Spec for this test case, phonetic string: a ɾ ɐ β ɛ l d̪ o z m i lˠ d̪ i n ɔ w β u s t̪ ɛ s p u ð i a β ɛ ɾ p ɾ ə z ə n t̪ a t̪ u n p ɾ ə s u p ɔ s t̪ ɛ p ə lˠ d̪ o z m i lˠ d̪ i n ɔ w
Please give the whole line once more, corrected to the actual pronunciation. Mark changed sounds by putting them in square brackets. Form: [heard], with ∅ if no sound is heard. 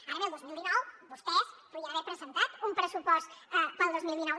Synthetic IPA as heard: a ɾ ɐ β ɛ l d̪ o z m i lˠ d̪ i n ɔ w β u s t̪ ɛ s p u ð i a β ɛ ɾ p ɾ ə z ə n t̪ a t̪ u [m] p ɾ ə s u p ɔ s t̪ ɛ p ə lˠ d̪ o z m i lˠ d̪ i n ɔ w